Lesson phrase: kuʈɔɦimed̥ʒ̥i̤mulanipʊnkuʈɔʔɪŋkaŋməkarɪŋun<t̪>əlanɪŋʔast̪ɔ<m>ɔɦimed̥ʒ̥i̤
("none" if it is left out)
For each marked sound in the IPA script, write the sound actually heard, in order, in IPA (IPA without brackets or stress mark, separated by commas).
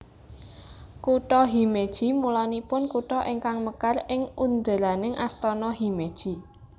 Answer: d̪, n